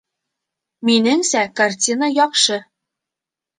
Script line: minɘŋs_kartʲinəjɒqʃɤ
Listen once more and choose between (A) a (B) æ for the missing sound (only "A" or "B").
B